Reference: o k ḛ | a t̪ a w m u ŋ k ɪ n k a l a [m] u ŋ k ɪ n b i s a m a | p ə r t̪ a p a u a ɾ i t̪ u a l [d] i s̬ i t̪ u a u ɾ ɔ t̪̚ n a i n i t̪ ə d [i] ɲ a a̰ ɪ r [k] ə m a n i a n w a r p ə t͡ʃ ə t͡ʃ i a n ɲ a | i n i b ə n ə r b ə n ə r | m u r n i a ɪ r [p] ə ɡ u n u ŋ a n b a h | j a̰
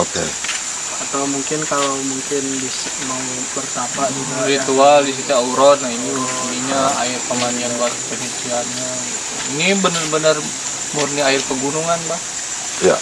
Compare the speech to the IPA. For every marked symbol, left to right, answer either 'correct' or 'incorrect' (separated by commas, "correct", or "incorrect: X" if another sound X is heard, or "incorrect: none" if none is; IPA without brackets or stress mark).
correct, correct, correct, incorrect: p, correct